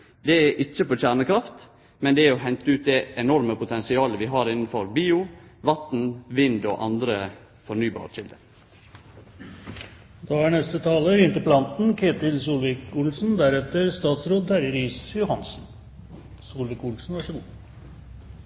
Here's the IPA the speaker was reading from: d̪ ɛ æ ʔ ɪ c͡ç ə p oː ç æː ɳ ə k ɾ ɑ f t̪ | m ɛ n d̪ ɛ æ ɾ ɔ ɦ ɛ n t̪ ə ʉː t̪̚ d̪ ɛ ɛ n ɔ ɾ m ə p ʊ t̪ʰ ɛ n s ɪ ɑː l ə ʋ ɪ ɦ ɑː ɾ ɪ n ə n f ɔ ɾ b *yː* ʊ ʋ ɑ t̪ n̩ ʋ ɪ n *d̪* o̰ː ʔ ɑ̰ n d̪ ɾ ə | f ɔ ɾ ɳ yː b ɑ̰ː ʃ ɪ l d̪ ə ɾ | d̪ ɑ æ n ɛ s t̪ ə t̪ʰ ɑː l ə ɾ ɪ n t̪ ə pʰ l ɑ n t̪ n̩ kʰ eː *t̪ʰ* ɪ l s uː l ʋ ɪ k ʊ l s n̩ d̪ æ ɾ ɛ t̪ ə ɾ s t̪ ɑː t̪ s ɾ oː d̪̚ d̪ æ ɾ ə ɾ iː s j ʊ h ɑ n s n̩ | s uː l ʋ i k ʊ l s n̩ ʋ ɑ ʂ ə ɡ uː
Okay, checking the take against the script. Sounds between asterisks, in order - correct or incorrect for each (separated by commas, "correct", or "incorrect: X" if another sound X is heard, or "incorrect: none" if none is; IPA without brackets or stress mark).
incorrect: iː, correct, incorrect: t̪